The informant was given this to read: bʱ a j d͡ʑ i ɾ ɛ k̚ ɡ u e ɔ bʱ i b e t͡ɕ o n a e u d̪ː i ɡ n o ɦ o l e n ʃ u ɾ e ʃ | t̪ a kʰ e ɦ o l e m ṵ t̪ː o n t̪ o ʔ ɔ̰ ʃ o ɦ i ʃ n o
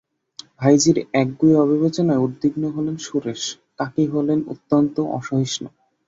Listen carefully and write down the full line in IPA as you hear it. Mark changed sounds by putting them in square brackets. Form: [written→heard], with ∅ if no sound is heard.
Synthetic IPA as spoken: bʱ a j d͡ʑ i ɾ ɛ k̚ ɡ u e ɔ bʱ i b e t͡ɕ o n a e u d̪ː i ɡ n o ɦ o l e n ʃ u ɾ e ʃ | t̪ a [kʰ→k] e ɦ o l e [m→n] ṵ t̪ː o n t̪ o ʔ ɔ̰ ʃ o ɦ i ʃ n o